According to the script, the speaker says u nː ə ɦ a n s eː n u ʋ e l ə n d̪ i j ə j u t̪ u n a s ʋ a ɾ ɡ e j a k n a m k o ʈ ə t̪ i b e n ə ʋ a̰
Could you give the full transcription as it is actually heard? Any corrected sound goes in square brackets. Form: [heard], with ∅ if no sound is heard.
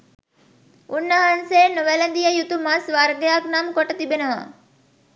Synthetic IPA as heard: u nː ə ɦ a n s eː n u ʋ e l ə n d̪ i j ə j u t̪ u [m] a s ʋ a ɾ ɡ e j a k n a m k o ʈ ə t̪ i b e n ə ʋ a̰